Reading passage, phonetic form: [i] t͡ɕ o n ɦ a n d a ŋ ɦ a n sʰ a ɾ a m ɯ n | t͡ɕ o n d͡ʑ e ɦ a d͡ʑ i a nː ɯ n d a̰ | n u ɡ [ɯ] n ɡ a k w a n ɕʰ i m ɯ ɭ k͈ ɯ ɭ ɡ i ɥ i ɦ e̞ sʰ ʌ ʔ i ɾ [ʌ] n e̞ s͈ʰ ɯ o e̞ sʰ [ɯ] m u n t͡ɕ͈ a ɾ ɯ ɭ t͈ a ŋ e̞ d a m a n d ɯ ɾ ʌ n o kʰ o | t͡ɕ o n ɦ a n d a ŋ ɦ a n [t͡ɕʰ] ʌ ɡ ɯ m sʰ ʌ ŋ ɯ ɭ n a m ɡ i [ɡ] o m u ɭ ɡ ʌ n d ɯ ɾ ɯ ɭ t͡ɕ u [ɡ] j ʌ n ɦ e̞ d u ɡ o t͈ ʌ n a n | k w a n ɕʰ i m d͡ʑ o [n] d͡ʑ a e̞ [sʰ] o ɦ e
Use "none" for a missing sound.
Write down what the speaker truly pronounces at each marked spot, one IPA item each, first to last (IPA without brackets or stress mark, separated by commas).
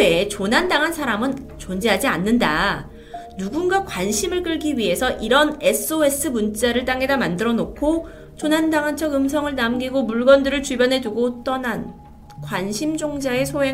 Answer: e, u, ʌ, ɯ, t͡ɕʰ, ɡ, b, ŋ, sʰ